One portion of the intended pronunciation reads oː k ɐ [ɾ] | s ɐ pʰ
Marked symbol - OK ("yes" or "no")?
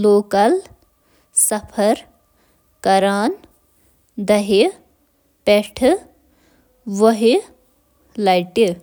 no